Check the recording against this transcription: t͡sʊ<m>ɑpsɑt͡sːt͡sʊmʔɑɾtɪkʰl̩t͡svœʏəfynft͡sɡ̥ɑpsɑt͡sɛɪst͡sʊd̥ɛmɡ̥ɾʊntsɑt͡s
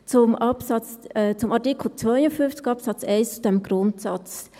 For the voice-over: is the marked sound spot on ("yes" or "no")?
yes